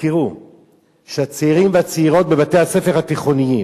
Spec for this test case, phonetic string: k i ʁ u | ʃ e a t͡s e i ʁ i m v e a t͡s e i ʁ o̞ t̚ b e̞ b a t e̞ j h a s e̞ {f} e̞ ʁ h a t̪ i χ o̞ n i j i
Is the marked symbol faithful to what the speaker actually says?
yes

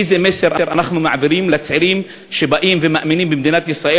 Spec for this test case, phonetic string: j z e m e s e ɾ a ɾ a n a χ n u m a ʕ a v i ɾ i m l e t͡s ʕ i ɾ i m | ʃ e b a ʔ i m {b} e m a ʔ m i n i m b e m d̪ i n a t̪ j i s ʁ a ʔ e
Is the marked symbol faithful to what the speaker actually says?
no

